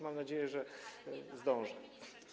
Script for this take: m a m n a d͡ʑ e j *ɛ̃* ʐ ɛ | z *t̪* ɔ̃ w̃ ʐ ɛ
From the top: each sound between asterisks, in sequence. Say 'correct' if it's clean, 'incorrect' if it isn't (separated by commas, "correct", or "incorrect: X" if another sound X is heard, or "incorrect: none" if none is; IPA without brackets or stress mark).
incorrect: ɛ, incorrect: d̪